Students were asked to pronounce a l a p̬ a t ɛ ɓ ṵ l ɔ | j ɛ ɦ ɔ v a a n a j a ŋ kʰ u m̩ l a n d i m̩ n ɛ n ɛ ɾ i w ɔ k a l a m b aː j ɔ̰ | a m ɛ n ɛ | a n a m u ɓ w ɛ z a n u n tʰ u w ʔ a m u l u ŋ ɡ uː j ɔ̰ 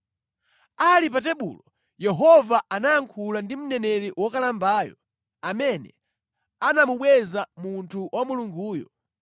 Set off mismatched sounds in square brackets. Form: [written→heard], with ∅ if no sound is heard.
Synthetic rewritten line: a l [a→i] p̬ a t ɛ ɓ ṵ l ɔ | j ɛ ɦ ɔ v a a n a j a ŋ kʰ u [m̩→∅] l a n d i m̩ n ɛ n ɛ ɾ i w ɔ k a l a m b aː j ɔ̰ | a m ɛ n ɛ | a n a m u ɓ w ɛ z a [n→m] u n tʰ u w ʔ a m u l u ŋ ɡ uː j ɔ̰